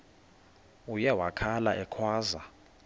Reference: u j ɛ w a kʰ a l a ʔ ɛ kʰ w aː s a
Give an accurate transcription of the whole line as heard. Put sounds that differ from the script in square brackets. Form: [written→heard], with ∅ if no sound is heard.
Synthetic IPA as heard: u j ɛ w a kʰ a l a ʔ ɛ kʰ w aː [s→z] a